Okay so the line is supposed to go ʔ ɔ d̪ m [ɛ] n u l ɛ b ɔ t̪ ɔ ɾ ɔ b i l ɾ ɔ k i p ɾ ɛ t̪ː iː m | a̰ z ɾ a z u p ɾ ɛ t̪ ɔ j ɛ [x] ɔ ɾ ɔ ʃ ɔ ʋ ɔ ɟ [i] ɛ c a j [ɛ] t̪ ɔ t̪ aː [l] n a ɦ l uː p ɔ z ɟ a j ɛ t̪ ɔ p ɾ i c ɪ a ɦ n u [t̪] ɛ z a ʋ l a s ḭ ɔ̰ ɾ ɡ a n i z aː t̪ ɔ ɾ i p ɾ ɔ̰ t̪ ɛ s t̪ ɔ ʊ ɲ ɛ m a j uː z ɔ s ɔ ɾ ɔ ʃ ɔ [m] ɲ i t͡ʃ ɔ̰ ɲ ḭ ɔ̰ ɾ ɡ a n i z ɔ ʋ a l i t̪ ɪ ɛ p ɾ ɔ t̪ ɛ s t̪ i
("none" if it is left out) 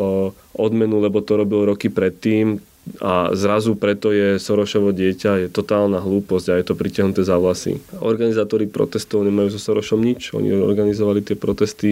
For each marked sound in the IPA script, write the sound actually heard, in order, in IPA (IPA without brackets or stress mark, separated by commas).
ɛ, s, ɪ, ɛ, l, t̪, m